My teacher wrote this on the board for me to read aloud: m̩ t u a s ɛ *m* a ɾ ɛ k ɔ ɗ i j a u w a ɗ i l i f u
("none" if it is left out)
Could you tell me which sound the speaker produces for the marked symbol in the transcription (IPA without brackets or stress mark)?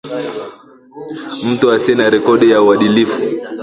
n